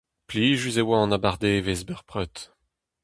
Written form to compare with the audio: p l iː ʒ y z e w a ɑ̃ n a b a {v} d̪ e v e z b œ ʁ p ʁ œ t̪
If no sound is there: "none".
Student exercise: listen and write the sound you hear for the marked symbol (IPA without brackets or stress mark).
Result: ʁ